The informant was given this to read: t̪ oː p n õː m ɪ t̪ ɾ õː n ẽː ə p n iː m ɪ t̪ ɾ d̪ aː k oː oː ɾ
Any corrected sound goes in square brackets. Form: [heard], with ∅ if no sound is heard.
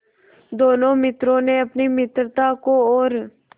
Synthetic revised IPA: [d̪] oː [∅] n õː m ɪ t̪ ɾ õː n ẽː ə p n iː m ɪ t̪ ɾ [t̪] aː k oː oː ɾ